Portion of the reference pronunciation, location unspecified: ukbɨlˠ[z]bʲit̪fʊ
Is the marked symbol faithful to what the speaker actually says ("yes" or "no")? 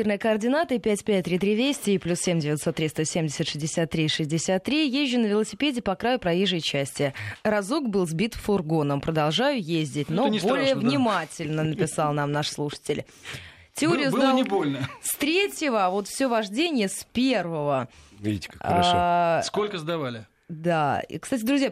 yes